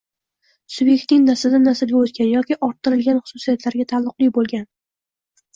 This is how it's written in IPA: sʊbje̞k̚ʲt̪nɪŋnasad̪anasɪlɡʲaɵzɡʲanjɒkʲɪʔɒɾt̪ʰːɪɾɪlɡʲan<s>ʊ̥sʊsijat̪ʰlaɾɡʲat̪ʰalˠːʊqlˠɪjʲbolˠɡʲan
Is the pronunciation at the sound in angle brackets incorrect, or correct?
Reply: incorrect